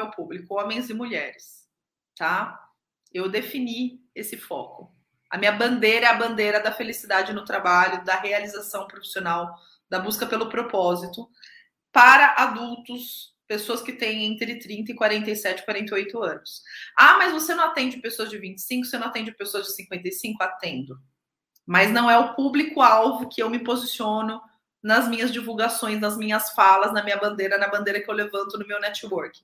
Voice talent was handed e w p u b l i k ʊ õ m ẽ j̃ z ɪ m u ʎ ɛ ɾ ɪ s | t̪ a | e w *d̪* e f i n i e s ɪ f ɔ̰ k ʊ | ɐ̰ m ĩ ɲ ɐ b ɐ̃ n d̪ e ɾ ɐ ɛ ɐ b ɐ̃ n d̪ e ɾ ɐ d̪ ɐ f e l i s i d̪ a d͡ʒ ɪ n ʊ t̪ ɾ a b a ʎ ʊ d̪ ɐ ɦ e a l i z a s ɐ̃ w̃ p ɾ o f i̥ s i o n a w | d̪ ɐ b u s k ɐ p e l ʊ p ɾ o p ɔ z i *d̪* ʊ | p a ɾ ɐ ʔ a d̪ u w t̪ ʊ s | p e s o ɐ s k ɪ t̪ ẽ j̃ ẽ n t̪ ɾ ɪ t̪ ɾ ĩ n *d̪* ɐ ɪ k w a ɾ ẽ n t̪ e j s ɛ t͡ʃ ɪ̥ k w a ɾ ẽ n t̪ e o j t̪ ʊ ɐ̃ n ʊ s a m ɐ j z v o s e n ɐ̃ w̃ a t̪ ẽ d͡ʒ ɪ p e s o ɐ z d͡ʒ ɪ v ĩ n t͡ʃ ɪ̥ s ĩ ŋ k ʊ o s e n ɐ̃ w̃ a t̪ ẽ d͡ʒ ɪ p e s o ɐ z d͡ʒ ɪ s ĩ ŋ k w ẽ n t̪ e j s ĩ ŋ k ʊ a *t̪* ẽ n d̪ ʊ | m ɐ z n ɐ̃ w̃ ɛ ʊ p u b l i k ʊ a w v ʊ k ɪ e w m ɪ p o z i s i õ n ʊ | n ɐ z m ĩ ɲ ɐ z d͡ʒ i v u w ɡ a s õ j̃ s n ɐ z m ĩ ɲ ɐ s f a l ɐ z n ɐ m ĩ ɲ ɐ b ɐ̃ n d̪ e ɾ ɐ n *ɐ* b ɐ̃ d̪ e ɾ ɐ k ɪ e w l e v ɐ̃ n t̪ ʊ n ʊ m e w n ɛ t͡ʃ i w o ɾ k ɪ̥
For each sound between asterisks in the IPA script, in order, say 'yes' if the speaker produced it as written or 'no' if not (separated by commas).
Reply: yes, no, no, yes, yes